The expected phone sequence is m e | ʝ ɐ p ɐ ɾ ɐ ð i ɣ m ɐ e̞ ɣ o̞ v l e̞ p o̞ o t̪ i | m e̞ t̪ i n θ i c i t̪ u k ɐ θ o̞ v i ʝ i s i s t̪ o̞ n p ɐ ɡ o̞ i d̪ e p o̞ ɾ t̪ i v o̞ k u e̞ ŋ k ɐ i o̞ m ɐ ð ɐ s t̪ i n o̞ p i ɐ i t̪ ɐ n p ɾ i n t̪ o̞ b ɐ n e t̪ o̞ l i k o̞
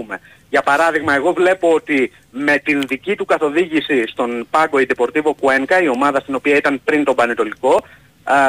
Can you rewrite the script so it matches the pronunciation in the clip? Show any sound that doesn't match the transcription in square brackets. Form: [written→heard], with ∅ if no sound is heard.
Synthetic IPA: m e | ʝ ɐ p ɐ ɾ ɐ ð i ɣ m ɐ e̞ ɣ o̞ v l e̞ p o̞ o t̪ i | m e̞ t̪ i n [θ→ð] i c i t̪ u k ɐ θ o̞ [v→ð] i ʝ i s i s t̪ o̞ n p ɐ ɡ o̞ i d̪ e p o̞ ɾ t̪ i v o̞ k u e̞ ŋ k ɐ i o̞ m ɐ ð ɐ s t̪ i n o̞ p i ɐ i t̪ ɐ n p ɾ i n t̪ o̞ b ɐ n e t̪ o̞ l i k o̞